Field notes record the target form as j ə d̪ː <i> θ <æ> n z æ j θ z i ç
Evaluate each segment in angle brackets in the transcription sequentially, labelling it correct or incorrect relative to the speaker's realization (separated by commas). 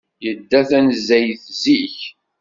incorrect, correct